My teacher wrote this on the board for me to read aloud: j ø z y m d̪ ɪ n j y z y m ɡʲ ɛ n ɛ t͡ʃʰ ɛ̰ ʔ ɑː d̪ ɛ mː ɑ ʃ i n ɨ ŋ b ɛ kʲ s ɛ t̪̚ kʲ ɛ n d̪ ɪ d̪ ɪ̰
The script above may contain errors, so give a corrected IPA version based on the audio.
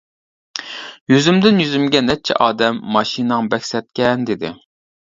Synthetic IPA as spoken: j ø z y m d̪ ɪ n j y z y m ɡʲ ɛ n ɛ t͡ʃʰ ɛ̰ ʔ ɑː d̪ ɛ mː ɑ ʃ i n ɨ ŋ b ɛ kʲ s ɛ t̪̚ kʲ ɛ n d̪ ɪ d̪ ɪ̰